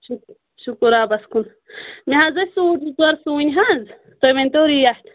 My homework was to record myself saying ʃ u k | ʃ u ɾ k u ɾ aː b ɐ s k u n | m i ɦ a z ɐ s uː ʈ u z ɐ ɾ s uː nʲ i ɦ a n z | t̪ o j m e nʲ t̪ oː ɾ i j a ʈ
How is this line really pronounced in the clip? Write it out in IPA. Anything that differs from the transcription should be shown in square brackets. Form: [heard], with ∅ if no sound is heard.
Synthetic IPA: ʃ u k | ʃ u [∅] k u ɾ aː b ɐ s k u n | m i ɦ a z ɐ s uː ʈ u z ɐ ɾ s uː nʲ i ɦ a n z | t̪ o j m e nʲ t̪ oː ɾ i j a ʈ